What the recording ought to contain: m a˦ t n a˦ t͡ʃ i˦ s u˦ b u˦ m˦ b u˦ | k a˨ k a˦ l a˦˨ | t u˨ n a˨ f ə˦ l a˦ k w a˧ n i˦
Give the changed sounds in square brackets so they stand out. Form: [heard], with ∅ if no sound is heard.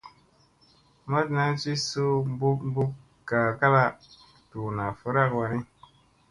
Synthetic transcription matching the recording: m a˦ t n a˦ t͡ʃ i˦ s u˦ b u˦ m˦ b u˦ | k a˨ k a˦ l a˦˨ | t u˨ n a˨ f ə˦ [ɾ] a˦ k w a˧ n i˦